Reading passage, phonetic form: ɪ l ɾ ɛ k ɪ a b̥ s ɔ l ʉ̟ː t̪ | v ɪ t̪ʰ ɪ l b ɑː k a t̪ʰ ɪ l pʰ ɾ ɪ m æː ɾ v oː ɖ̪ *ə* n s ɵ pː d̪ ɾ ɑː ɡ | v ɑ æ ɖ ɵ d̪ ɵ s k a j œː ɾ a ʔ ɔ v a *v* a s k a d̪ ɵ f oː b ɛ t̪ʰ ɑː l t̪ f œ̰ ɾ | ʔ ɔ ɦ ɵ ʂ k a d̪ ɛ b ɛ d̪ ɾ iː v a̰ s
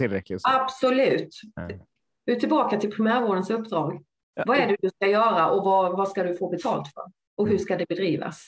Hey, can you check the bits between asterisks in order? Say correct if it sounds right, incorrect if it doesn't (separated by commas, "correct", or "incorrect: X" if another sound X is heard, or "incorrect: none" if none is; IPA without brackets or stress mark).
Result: correct, correct